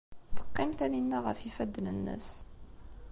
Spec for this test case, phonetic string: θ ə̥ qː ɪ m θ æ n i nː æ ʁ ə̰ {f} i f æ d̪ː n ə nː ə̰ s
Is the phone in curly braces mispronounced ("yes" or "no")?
no